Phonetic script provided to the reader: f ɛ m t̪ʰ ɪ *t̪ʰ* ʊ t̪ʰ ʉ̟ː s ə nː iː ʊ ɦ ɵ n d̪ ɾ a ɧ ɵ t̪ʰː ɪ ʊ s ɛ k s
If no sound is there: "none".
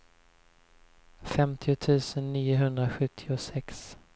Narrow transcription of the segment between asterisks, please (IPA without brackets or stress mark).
none